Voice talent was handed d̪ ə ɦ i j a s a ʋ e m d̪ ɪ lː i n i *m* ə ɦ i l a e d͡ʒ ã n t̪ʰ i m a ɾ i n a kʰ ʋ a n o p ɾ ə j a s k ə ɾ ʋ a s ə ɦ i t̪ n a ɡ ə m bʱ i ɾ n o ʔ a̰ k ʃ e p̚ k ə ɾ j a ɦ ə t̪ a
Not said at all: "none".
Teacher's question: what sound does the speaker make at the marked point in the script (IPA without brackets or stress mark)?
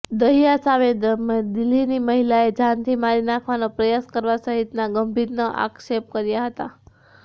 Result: m